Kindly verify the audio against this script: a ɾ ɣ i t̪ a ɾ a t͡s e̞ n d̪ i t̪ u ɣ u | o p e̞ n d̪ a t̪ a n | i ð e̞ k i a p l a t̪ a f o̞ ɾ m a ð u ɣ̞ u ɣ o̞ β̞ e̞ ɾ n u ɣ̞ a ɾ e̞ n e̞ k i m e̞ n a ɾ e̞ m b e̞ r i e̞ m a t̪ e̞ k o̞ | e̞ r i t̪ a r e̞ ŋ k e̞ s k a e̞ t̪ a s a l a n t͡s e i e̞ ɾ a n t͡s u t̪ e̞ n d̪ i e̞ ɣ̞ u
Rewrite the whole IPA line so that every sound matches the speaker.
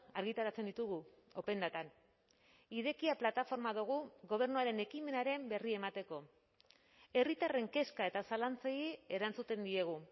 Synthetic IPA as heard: a ɾ ɣ i t̪ a ɾ a t͡s e̞ n d̪ i t̪ u ɣ u | o p e̞ n d̪ a t̪ a n | i ð e̞ k i a p l a t̪ a f o̞ ɾ m a ð u ɣ̞ u ɣ o̞ β̞ e̞ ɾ n u a ɾ e̞ n e̞ k i m e̞ n a ɾ e̞ m b e̞ r i e̞ m a t̪ e̞ k o̞ | e̞ r i t̪ a r e̞ ŋ k e̞ s k a e̞ t̪ a s a l a n t͡s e i e̞ ɾ a n t͡s u t̪ e̞ n d̪ i e̞ ɣ̞ u